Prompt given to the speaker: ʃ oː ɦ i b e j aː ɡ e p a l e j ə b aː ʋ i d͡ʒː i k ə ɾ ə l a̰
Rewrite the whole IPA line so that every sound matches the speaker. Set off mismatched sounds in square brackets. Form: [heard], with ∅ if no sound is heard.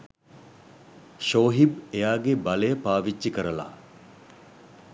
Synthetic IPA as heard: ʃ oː ɦ i b e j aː ɡ e [b] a l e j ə [p] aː ʋ i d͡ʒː i k ə ɾ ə l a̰